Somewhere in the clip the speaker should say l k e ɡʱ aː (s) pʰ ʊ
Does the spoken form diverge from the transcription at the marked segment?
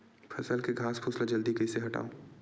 no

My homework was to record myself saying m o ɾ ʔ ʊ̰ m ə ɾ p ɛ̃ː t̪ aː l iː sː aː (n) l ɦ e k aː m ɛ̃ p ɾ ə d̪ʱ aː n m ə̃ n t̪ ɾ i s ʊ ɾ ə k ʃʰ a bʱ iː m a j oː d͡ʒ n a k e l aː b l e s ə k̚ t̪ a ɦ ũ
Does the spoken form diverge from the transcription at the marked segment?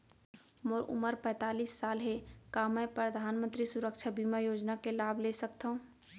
yes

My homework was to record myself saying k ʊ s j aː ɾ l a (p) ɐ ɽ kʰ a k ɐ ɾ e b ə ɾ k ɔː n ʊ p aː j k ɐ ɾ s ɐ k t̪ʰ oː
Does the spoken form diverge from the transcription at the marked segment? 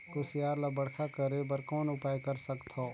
yes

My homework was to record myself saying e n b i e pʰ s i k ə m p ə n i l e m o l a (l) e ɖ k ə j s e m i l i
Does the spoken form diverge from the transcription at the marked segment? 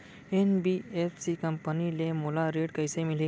yes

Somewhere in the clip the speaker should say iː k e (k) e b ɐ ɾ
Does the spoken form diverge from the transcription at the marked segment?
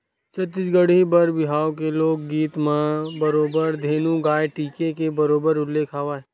no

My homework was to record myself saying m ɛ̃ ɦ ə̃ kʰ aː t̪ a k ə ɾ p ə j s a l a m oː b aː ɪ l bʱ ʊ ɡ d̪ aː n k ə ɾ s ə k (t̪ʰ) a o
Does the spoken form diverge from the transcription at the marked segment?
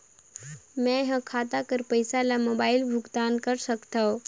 yes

